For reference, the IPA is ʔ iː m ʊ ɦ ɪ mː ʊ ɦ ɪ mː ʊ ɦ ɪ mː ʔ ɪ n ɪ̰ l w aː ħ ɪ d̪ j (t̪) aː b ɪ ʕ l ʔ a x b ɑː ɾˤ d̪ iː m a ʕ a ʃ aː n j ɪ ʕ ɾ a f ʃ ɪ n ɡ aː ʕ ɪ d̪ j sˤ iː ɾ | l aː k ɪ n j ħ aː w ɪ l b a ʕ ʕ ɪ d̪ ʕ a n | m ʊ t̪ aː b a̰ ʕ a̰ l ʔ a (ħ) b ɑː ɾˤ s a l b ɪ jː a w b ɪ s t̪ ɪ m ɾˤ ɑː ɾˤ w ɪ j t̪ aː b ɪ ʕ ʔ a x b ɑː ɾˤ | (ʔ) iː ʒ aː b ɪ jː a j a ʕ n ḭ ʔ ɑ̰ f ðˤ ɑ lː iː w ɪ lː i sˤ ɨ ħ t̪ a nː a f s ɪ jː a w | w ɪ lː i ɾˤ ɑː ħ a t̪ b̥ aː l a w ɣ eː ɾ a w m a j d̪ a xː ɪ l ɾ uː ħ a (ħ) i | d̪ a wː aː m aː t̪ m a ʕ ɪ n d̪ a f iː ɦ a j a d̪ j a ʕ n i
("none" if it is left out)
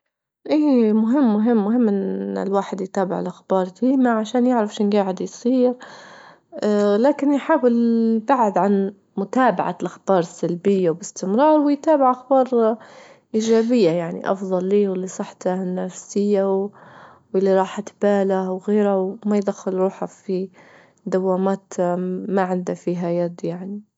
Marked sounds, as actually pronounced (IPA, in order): t̪, x, ʔ, f

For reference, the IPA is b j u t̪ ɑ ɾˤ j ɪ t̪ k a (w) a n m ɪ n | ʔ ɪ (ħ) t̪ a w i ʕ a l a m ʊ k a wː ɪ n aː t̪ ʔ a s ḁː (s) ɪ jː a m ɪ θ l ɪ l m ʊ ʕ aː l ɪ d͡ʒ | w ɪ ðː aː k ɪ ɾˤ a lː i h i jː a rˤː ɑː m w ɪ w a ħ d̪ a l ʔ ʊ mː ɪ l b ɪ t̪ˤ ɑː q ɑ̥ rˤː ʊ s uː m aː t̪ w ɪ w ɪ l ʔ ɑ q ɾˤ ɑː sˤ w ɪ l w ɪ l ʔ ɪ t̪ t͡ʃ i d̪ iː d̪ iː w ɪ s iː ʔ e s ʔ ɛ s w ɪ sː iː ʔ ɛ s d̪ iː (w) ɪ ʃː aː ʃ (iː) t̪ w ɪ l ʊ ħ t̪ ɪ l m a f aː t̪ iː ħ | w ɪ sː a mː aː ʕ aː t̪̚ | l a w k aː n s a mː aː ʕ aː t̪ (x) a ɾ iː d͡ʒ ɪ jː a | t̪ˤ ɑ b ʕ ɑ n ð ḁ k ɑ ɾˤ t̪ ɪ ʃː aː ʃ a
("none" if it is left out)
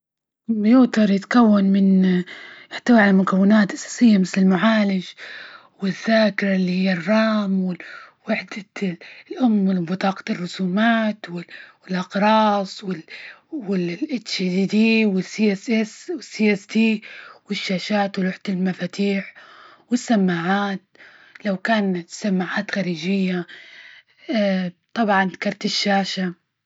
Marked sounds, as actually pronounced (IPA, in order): wː, ħ, s, w, aː, x

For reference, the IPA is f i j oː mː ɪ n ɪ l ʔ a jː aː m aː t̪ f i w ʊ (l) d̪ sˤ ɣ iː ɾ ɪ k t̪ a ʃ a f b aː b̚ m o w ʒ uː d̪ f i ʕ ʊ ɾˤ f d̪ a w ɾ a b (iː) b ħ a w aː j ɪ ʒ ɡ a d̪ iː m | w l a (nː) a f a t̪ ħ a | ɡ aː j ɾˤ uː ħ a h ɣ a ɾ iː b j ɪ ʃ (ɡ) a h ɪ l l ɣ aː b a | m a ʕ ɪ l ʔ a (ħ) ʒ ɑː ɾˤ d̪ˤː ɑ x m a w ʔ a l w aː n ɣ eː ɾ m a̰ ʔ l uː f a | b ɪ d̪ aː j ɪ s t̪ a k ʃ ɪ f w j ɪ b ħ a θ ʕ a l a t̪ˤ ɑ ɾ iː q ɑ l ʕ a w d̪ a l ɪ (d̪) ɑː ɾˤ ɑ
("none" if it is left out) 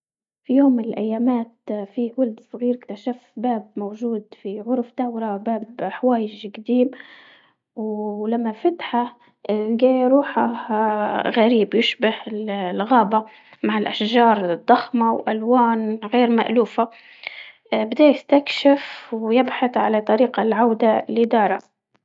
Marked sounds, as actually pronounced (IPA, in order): l, aː, mː, b, ʃ, d̪

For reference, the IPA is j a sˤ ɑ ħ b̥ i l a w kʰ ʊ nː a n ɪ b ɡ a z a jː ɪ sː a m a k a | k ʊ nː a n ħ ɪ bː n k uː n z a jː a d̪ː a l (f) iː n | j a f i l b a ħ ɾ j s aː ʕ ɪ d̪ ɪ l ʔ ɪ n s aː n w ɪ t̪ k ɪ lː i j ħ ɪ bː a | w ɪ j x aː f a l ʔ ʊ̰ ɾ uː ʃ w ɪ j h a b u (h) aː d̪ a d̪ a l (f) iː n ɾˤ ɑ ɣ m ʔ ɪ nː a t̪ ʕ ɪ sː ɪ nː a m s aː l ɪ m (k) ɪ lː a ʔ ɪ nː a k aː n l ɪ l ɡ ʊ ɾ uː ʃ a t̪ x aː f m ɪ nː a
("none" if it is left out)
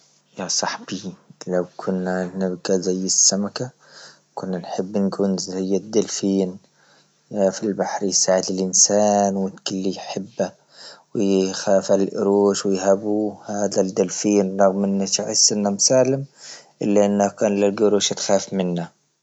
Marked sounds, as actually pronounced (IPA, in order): f, h, f, ʔ

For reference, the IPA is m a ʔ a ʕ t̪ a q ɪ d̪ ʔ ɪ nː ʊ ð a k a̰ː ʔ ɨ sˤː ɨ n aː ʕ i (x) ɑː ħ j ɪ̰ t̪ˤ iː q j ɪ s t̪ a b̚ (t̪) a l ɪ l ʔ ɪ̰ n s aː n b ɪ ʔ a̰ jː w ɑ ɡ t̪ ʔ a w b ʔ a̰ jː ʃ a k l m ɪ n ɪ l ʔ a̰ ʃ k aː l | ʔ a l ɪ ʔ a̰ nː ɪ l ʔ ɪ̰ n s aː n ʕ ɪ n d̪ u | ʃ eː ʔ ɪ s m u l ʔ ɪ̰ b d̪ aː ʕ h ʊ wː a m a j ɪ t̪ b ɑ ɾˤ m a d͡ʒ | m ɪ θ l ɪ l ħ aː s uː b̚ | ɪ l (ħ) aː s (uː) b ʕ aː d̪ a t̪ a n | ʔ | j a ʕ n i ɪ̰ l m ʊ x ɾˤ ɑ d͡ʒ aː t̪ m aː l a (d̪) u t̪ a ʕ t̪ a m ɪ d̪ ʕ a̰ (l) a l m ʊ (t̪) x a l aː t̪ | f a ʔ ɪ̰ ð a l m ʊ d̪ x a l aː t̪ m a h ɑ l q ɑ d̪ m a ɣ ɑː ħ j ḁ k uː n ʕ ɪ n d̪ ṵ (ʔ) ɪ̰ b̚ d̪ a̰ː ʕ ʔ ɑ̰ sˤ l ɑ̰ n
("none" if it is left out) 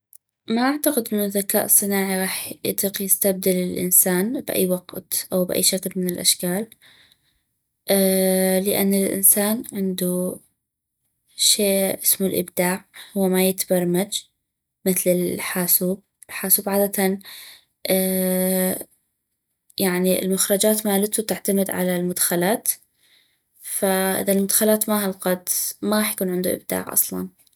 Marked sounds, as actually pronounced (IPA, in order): ɣ, d̪, ħ, uː, t̪, l, d̪, ʔ

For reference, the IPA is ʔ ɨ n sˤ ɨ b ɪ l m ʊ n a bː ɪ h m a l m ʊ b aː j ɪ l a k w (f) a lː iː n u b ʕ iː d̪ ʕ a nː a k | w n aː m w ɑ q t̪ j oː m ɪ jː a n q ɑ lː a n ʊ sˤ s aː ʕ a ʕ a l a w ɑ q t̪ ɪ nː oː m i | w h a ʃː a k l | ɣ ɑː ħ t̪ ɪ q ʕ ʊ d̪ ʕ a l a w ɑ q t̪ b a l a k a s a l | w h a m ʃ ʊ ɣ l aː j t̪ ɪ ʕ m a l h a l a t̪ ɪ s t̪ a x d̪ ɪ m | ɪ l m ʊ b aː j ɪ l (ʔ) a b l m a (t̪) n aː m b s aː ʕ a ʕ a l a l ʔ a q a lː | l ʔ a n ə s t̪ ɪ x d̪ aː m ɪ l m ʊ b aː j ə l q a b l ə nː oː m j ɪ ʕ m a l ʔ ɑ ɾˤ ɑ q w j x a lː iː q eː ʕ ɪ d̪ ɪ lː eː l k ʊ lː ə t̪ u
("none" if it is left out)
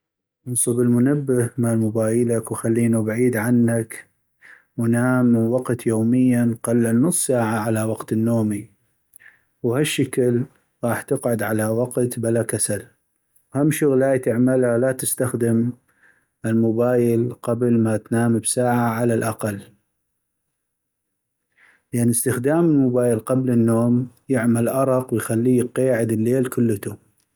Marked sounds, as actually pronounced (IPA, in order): x, q, t̪

